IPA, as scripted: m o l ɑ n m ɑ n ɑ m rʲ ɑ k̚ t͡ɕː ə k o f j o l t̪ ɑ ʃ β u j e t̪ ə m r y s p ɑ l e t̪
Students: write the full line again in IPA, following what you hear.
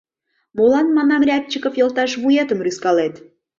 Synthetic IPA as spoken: m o l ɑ n m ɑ n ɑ m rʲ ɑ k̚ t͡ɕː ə k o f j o l t̪ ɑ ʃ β u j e t̪ ə m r y s k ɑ l e t̪